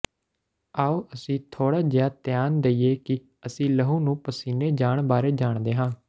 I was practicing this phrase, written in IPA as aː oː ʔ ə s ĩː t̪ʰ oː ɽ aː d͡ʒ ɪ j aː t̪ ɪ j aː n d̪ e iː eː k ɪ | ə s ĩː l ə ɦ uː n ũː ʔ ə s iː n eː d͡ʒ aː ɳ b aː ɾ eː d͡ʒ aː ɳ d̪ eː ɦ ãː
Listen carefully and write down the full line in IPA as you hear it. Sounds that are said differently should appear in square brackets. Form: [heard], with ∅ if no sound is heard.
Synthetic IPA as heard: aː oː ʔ ə s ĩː t̪ʰ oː ɽ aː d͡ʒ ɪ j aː t̪ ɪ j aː n d̪ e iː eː k ɪ | ə s ĩː l ə ɦ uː n ũː [p] ə s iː n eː d͡ʒ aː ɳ b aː ɾ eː d͡ʒ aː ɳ d̪ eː ɦ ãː